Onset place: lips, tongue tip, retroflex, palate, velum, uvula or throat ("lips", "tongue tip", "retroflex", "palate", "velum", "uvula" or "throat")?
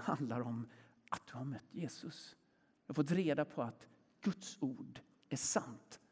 throat